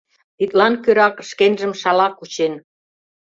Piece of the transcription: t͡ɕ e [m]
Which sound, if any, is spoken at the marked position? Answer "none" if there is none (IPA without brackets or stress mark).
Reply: n